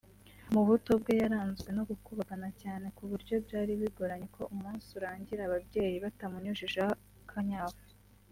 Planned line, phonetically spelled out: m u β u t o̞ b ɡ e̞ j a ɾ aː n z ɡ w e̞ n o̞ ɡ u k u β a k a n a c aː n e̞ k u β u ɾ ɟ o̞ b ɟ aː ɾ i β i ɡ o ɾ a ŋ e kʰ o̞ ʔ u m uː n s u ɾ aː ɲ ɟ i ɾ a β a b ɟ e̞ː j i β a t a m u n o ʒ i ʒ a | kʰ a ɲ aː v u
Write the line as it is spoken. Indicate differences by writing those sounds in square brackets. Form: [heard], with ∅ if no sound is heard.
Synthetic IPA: m u β u t o̞ b ɡ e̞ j a ɾ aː n z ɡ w e̞ n o̞ ɡ u k u β a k a n a c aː n e̞ k u β u ɾ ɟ o̞ b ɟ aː ɾ i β i ɡ o ɾ a [ɲ] e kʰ o̞ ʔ u m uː n s u ɾ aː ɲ ɟ i ɾ a β a b ɟ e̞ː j i β a t a m u [ɲ] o ʒ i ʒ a | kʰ a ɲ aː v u